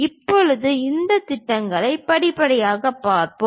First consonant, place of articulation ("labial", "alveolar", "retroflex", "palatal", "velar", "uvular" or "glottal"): labial